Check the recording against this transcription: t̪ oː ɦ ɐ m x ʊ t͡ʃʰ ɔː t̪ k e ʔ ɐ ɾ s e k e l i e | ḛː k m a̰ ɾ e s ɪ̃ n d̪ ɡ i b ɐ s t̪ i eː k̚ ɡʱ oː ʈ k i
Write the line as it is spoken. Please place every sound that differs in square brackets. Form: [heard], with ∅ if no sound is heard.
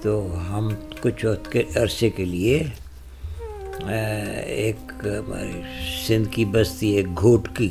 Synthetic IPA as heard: t̪ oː ɦ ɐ m [k] ʊ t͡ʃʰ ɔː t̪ k e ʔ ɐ ɾ s e k e l i e | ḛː k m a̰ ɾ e s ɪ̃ n d̪ [k] i b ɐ s t̪ i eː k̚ ɡʱ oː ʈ k i